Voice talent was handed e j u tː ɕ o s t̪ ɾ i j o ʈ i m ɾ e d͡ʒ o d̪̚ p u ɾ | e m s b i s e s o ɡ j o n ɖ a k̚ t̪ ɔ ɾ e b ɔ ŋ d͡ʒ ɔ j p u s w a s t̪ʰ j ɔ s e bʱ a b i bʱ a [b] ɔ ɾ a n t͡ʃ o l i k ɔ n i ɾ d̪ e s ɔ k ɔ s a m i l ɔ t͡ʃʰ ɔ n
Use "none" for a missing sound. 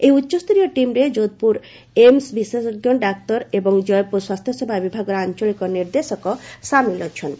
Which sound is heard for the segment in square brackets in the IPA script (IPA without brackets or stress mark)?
ɡ